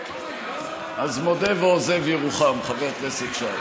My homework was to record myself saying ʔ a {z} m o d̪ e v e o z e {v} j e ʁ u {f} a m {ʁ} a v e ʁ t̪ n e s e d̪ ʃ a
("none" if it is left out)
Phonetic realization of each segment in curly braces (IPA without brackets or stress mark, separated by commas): z, v, χ, χ